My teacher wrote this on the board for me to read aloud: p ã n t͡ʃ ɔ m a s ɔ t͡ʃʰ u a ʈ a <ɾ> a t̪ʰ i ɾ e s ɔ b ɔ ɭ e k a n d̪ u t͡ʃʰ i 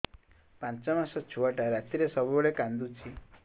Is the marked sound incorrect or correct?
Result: correct